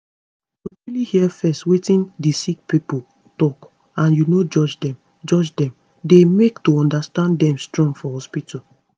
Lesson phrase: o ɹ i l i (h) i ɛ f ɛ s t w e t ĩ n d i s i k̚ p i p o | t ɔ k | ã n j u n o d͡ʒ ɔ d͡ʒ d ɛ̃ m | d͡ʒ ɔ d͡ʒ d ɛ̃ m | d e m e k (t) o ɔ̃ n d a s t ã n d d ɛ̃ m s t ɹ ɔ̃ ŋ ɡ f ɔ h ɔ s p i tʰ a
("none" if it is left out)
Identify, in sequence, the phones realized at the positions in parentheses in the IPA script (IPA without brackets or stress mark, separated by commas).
h, t